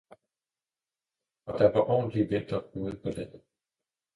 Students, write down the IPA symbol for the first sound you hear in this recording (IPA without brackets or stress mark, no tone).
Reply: ɒ̽